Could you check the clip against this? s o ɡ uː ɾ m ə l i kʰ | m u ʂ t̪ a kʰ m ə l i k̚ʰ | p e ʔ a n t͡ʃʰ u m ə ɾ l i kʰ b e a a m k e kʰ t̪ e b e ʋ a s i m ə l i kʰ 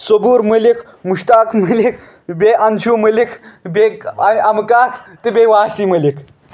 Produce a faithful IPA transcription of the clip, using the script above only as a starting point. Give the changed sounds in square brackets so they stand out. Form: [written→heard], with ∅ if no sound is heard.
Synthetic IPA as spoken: s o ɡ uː ɾ m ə l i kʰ | m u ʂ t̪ a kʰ m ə l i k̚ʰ | [p→b] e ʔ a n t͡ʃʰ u m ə [ɾ→∅] l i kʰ b e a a m k [e→a] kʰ t̪ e b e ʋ a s i m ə l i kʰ